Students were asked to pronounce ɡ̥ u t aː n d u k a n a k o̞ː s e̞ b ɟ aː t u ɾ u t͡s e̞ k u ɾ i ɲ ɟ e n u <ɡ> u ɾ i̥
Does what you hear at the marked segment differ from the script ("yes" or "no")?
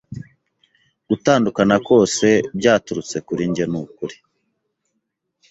yes